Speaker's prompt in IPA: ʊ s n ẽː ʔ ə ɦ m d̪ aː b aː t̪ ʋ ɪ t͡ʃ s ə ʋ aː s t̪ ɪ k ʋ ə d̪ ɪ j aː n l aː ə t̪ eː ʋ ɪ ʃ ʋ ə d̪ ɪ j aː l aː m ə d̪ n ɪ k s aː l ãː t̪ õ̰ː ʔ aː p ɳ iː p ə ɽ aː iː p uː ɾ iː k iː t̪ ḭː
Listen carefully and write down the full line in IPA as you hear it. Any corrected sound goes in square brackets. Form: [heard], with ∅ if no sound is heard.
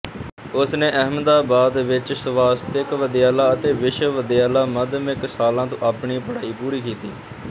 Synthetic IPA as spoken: ʊ s n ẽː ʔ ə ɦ m d̪ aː b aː [d̪] ʋ ɪ t͡ʃ s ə ʋ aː s t̪ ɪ k ʋ ə d̪ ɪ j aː [∅] l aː ə t̪ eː ʋ ɪ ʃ ʋ ə d̪ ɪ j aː l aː m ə d̪ [m] ɪ k s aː l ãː t̪ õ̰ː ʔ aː p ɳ iː p ə ɽ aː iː p uː ɾ iː k iː t̪ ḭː

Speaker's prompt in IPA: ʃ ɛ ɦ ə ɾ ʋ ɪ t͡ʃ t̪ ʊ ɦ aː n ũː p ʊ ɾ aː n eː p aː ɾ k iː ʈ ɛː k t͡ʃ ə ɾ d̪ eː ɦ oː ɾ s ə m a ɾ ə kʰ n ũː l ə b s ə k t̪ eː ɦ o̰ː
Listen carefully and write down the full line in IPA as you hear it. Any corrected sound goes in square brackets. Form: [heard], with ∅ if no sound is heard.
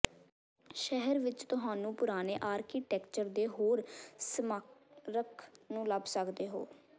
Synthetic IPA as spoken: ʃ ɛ ɦ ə ɾ ʋ ɪ t͡ʃ t̪ ʊ ɦ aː n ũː p ʊ ɾ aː n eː [ʔ] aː ɾ k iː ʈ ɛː k t͡ʃ ə ɾ d̪ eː ɦ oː ɾ s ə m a ɾ ə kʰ n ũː l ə b s ə k [d̪] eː ɦ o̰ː

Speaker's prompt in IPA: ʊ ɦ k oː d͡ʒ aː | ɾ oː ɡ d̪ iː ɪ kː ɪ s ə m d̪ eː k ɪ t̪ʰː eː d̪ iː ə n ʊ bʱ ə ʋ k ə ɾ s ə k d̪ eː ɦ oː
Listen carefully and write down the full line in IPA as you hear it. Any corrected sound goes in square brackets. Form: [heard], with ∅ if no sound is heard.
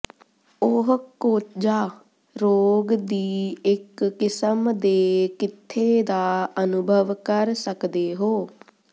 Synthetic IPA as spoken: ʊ ɦ k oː d͡ʒ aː | ɾ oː ɡ d̪ iː ɪ kː ɪ s ə m d̪ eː k ɪ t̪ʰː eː d̪ [aː] ə n ʊ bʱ ə ʋ k ə ɾ s ə k d̪ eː ɦ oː

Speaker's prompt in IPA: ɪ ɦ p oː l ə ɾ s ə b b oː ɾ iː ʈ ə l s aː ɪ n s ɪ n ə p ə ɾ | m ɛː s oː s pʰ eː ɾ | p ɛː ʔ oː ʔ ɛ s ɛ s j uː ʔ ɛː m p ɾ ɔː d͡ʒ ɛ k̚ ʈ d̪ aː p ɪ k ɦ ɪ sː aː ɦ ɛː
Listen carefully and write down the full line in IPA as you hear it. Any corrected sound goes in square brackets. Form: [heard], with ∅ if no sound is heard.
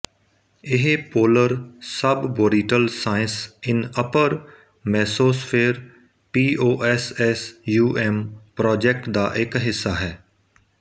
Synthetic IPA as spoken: ɪ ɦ p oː l ə ɾ s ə b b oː ɾ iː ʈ ə l s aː ɪ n s ɪ n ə p ə ɾ | m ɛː s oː s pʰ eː ɾ | p [iː] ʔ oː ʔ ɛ s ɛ s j uː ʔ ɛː m p ɾ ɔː d͡ʒ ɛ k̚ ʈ d̪ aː [ʔ] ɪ k ɦ ɪ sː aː ɦ ɛː

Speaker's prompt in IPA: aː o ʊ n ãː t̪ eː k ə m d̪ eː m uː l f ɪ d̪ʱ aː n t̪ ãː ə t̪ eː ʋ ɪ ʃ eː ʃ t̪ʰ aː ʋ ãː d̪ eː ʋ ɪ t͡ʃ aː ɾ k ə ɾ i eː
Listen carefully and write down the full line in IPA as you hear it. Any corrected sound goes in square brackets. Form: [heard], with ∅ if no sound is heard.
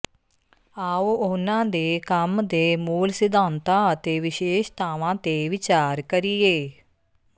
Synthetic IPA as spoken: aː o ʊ n ãː [d̪] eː k ə m d̪ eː m uː l [s] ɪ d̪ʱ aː n t̪ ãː ə t̪ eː ʋ ɪ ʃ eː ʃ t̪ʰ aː ʋ ãː [t̪] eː ʋ ɪ t͡ʃ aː ɾ k ə ɾ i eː

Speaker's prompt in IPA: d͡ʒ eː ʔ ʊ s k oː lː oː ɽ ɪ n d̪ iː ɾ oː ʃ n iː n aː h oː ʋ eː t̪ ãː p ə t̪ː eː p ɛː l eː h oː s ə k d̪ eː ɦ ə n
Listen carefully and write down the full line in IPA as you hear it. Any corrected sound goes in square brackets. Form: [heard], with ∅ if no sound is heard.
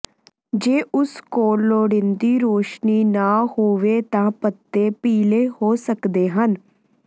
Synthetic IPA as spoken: d͡ʒ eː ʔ ʊ s k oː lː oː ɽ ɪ n d̪ iː ɾ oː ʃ n iː n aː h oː ʋ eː t̪ ãː p ə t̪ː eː p [iː] l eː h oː s ə k d̪ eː ɦ ə n

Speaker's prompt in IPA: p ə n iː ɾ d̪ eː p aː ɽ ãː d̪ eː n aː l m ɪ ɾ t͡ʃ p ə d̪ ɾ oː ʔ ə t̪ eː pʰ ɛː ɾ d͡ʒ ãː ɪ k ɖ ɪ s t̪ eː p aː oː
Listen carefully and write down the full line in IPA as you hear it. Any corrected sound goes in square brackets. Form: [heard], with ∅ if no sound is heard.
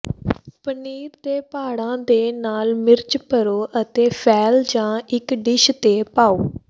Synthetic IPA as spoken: p ə n iː ɾ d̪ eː p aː ɽ ãː d̪ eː n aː l m ɪ ɾ t͡ʃ p ə [∅] ɾ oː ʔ ə t̪ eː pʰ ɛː [l] d͡ʒ ãː ɪ k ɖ ɪ [ʃ] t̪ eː p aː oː

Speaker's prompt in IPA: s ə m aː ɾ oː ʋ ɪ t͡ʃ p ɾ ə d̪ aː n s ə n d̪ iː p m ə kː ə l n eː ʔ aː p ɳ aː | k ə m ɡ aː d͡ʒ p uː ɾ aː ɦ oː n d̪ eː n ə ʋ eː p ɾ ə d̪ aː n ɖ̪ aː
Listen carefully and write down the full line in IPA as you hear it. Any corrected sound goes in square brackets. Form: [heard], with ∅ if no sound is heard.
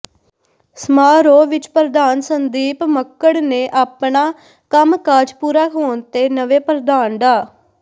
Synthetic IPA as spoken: s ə m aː ɾ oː ʋ ɪ t͡ʃ p ɾ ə d̪ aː n s ə n d̪ iː p m ə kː ə [ɽ] n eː ʔ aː p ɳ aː | k ə m [k] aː d͡ʒ p uː ɾ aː ɦ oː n [t̪] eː n ə ʋ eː p ɾ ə d̪ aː n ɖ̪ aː

